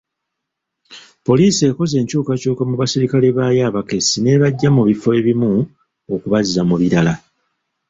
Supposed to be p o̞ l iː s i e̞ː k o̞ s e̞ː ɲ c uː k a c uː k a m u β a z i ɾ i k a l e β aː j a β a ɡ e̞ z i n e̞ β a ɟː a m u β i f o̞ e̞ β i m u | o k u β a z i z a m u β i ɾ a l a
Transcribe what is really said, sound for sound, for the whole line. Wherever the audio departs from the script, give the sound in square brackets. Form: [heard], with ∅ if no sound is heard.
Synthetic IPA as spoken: p o̞ l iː s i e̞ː k o̞ [z] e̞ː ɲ c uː k a c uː k a m u β a [s] i ɾ i k a l e β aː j a β a [k] e̞ [s] i n e̞ β a ɟː a m u β i f o̞ e̞ β i m u | o k u β a z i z a m u β i ɾ a l a